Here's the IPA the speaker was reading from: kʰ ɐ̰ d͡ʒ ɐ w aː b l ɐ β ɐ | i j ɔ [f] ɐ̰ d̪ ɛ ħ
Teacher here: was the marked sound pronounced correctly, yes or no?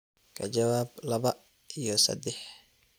no